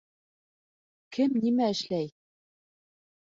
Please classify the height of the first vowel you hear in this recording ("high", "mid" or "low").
mid